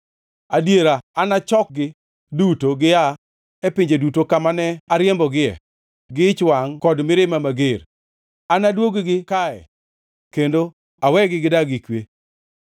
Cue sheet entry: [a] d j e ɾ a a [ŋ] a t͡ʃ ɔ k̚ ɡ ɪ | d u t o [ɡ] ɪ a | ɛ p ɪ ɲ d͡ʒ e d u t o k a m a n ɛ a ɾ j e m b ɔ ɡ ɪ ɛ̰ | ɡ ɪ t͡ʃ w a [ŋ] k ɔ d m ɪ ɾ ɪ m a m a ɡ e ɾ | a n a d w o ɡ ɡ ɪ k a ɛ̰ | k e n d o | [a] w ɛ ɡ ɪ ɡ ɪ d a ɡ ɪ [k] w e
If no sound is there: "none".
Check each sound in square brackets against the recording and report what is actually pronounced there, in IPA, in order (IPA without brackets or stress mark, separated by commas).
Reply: a, n, ɡ, ŋ, a, k